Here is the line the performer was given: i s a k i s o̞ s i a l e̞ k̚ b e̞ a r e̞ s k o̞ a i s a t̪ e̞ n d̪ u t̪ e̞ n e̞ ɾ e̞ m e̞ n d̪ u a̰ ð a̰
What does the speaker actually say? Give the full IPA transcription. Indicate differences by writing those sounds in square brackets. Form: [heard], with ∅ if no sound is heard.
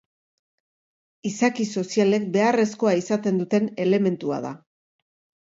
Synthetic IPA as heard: i s a k i s o̞ s i a l e̞ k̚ b e̞ a r e̞ s k o̞ a i s a t̪ e̞ n d̪ u t̪ e̞ n e̞ [l] e̞ m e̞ n [t̪] u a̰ ð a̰